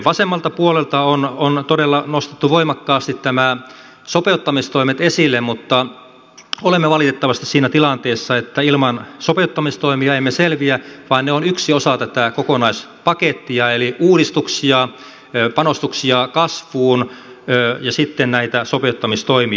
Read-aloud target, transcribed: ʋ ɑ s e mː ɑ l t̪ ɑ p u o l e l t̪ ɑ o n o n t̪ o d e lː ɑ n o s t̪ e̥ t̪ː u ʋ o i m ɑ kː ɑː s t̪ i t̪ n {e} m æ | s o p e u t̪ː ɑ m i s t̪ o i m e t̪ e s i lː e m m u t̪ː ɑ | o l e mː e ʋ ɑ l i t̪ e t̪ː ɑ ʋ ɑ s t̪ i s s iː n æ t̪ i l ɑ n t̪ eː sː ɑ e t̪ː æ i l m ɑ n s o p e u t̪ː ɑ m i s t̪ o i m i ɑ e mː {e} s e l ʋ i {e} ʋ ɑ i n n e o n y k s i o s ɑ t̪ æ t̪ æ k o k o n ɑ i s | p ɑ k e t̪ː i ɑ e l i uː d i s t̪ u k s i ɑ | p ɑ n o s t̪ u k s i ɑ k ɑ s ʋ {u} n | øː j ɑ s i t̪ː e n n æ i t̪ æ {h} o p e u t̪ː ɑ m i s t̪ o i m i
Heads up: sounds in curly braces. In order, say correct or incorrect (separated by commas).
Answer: incorrect, correct, incorrect, incorrect, incorrect